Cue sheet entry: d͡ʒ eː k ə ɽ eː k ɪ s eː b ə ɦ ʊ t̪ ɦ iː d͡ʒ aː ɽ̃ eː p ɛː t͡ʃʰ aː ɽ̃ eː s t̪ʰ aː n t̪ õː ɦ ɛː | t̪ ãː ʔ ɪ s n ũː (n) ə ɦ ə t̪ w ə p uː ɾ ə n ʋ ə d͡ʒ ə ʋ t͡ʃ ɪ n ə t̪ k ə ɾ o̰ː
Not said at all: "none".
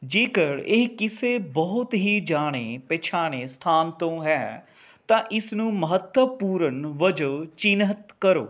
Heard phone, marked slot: m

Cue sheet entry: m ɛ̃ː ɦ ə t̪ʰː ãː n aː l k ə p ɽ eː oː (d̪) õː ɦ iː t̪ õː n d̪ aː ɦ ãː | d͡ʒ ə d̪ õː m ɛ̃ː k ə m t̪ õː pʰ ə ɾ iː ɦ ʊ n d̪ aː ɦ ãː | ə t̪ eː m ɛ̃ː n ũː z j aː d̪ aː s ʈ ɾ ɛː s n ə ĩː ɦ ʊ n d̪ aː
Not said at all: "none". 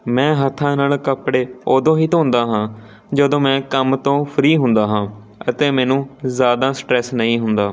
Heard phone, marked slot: d̪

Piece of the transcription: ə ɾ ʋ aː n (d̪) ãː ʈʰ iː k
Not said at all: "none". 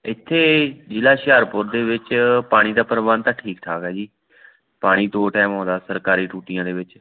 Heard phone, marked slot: t̪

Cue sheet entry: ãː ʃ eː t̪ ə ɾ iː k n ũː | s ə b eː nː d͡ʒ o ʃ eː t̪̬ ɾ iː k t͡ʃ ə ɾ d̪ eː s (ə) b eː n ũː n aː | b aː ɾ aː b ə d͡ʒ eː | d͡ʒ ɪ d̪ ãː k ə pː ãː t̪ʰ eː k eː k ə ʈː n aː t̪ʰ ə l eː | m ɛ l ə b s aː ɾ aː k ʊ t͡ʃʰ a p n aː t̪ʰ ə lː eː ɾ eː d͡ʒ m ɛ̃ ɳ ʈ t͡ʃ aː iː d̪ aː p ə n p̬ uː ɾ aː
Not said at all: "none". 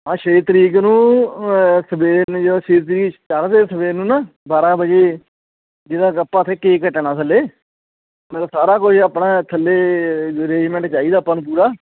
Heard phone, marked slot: ə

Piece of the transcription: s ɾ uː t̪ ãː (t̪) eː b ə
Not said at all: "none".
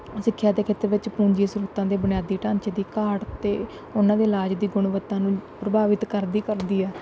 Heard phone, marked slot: d̪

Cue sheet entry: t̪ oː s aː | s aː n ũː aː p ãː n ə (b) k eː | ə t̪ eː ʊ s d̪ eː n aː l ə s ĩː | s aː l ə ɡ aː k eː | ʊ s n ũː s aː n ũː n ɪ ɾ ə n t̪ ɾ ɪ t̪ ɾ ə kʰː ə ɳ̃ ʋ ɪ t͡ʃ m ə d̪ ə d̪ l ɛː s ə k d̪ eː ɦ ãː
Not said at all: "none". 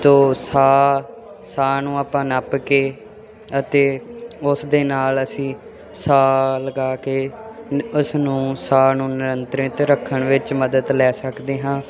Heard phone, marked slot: p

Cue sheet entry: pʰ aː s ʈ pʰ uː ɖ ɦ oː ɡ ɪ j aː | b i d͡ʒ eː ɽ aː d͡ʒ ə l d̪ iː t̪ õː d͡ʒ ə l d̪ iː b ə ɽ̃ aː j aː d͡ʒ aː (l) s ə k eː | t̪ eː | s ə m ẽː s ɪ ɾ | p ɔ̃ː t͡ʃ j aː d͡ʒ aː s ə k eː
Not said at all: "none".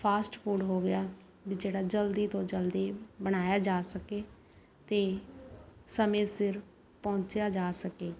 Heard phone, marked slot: none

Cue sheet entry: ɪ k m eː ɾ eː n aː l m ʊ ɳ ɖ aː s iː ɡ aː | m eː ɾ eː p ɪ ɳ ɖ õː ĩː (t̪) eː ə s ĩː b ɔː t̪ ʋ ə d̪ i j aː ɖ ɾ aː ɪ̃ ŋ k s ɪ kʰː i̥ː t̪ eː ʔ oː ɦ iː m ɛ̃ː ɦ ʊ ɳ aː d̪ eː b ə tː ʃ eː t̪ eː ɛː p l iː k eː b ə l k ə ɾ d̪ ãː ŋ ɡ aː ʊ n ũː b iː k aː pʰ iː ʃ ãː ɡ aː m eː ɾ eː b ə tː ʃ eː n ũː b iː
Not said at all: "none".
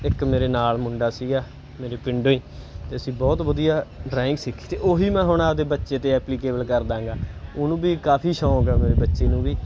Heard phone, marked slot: t̪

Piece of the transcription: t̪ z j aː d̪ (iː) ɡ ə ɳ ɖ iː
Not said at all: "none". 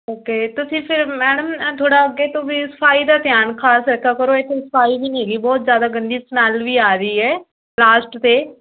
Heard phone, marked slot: aː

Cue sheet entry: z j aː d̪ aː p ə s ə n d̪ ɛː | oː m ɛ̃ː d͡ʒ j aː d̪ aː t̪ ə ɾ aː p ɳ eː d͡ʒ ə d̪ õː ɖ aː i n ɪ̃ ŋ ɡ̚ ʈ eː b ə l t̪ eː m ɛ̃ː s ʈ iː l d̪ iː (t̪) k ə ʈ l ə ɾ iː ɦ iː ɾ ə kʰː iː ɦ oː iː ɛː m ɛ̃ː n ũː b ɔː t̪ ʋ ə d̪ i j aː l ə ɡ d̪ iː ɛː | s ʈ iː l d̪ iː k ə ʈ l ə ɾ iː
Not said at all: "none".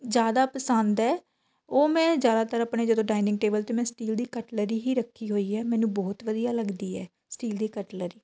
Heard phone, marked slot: none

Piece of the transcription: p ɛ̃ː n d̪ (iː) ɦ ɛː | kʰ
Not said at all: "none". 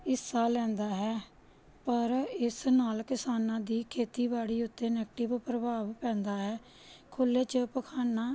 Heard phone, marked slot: aː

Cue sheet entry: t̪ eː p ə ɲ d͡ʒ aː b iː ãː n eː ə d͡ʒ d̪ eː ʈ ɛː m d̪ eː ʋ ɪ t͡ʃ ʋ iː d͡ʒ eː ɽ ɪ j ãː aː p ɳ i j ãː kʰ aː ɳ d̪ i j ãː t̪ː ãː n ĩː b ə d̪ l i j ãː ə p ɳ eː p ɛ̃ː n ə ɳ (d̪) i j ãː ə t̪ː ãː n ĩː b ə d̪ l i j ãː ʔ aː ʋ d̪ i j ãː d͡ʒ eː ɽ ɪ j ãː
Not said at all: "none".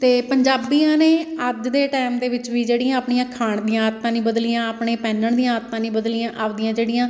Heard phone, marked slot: d̪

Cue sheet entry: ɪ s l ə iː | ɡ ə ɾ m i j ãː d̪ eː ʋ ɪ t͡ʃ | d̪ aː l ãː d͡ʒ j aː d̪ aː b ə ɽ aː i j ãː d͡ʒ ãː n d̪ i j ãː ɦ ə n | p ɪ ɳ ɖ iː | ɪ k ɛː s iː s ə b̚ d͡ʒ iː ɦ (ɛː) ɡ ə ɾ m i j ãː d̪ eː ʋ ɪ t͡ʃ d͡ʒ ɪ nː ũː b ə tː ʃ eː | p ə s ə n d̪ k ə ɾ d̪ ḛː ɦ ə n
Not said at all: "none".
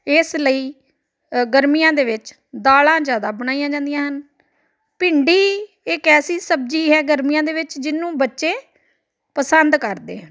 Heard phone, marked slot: ɛː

